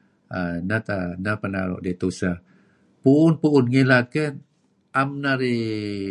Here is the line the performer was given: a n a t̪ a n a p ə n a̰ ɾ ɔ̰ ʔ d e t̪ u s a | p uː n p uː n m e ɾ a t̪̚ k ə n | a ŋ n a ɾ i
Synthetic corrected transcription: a n a t̪ a n a p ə n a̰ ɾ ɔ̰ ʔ d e t̪ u s a | p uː n p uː n ŋ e l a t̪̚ k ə n | a m n a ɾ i

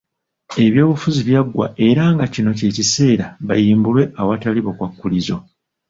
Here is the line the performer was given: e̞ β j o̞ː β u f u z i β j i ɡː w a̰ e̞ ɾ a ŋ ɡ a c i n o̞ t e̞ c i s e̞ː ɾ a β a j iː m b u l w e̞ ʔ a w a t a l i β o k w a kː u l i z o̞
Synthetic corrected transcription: e̞ β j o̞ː β u f u z i β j a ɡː w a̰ e̞ ɾ a ŋ ɡ a c i n o̞ c e̞ c i s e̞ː ɾ a β a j iː m b u l w e̞ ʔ a w a t a l i β o k w a kː u l i z o̞

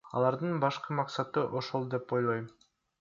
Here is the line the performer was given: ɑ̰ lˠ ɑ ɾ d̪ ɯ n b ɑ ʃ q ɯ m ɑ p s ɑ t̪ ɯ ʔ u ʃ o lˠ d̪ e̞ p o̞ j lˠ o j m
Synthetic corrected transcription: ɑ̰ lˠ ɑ ɾ d̪ ɯ n b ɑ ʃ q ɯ m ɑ q s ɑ t̪ ɯ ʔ o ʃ o lˠ d̪ e̞ p o̞ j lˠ o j m

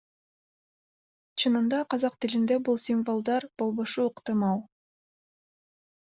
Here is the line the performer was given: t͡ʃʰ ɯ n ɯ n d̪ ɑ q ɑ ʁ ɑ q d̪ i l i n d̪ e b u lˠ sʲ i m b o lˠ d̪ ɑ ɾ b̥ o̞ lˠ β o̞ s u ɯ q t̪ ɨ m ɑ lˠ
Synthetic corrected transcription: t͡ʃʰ ɯ n ɯ n d̪ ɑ q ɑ z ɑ q t̪ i l i n d̪ e b u lˠ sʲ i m v o lˠ d̪ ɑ ɾ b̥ o̞ lˠ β o̞ ʃ u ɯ q t̪ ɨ m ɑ lˠ

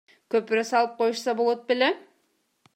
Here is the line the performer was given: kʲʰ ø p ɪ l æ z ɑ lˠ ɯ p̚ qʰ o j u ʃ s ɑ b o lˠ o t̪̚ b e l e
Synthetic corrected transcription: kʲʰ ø p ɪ ɾ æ s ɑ lˠ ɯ p̚ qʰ o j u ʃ s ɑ b o lˠ o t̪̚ b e l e

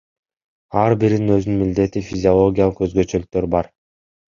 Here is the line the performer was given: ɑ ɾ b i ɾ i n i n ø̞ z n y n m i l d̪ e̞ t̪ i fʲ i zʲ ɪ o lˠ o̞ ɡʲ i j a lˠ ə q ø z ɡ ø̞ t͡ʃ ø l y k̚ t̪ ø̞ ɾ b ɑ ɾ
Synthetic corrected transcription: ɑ ɾ b i ɾ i n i n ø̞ z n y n m i l d̪ e̞ t̪ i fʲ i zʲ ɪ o lˠ o̞ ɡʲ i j a lˠ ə q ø z ɡ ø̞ t͡ʃ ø l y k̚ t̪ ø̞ ɾ b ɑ ɾ

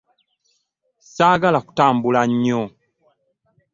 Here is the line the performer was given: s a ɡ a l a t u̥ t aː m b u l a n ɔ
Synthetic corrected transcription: s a ɡ a l a k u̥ t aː m b u l a ɲ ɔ

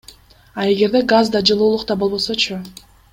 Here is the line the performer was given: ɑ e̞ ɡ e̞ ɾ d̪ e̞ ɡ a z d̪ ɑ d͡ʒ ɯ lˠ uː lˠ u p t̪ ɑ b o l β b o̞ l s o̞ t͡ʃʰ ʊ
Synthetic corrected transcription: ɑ e̞ ɡ e̞ ɾ d̪ e̞ ɡ a z d̪ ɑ d͡ʒ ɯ lˠ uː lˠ u q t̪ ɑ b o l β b o̞ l s o̞ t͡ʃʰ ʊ

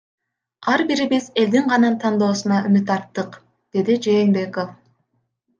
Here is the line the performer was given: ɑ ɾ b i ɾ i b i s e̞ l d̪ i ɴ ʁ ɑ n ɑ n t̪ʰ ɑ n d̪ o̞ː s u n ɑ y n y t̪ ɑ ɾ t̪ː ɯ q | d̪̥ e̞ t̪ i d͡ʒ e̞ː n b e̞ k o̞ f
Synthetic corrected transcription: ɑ ɾ b i ɾ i b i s e̞ l d̪ i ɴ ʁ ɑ n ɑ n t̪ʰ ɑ n d̪ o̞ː s u n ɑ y m y t̪ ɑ ɾ t̪ː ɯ q | d̪̥ e̞ d̪ i d͡ʒ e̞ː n b e̞ k o̞ f

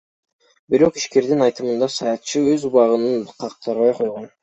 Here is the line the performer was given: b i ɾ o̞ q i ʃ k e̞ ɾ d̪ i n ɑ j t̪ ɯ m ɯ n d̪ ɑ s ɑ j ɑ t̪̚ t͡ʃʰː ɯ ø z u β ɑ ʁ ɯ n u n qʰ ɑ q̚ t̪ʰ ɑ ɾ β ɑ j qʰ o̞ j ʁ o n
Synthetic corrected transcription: b i ɾ o̞ q i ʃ k e̞ ɾ d̪ i n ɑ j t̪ ɯ m ɯ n d̪ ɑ s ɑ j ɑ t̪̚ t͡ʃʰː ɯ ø z u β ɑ ʁ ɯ n ɯ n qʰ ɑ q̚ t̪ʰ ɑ ɾ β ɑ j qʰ o̞ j ʁ o n

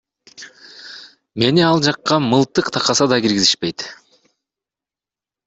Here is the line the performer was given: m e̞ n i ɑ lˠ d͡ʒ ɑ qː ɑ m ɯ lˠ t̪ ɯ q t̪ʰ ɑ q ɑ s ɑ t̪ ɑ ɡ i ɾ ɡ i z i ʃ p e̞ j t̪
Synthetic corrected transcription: m e̞ n i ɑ lˠ d͡ʒ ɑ qː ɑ m ɯ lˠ t̪ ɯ q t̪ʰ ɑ q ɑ s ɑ d̪ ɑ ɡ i ɾ ɡ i z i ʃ p e̞ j t̪

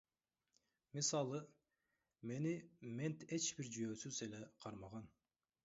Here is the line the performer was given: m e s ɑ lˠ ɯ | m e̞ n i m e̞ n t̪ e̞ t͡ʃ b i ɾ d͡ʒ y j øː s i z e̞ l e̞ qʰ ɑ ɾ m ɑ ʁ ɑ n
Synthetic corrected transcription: m i s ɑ lˠ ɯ | m e̞ n i m e̞ n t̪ e̞ t͡ʃ b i ɾ d͡ʒ y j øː s y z e̞ l e̞ qʰ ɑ ɾ m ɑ ʁ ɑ n

